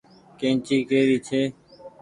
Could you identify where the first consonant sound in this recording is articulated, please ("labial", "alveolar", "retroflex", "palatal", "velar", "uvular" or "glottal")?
velar